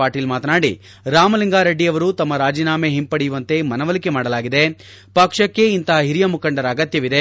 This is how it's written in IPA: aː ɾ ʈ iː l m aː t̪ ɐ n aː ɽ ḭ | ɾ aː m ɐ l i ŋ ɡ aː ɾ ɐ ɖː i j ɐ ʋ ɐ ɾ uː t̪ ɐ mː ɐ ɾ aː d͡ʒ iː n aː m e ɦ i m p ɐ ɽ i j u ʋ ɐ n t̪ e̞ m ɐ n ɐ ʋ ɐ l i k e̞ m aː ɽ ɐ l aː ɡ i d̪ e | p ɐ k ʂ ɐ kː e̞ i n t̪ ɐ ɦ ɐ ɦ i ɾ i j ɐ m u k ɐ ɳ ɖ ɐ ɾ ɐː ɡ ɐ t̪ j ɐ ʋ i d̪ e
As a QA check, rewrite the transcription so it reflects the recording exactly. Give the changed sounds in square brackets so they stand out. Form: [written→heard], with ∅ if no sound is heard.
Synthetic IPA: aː ɾ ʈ iː l m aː t̪ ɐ n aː ɽ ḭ | ɾ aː m ɐ l i ŋ ɡ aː ɾ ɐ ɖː i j ɐ ʋ ɐ ɾ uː t̪ ɐ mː ɐ ɾ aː d͡ʒ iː n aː m e ɦ i m p ɐ ɽ i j u ʋ ɐ n t̪ e̞ m ɐ n ɐ ʋ ɐ l i k e̞ m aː ɽ ɐ l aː ɡ i d̪ e | p ɐ k ʂ ɐ kː e̞ i n t̪ ɐ ɦ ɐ ɦ i ɾ i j ɐ m u k ɐ ɳ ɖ ɐ ɾ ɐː ɡ ɐ t̪ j ɐ ʋ i d̪ e